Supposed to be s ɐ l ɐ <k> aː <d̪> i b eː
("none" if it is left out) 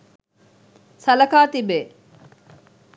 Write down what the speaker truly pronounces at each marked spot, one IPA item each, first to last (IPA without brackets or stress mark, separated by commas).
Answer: k, t̪